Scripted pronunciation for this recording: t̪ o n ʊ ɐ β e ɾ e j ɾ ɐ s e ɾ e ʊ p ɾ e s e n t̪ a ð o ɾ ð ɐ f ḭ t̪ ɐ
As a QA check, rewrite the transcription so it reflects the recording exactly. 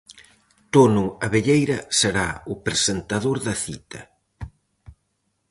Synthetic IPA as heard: t̪ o n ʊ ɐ β e ʎ e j ɾ ɐ s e ɾ a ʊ p ɾ e s e n t̪ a ð o ɾ ð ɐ θ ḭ t̪ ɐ